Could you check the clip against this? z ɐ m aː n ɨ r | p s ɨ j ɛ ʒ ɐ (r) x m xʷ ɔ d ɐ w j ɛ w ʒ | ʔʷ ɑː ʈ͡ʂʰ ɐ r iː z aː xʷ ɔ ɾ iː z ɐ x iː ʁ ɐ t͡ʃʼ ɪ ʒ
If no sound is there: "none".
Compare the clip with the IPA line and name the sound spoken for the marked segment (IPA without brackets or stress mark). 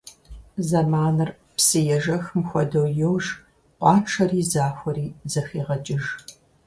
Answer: none